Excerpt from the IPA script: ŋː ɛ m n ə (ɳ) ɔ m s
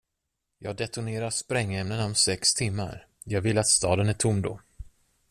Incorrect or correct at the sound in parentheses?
incorrect: n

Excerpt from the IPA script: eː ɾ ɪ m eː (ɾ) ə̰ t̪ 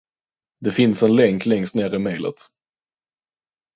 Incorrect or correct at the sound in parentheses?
incorrect: l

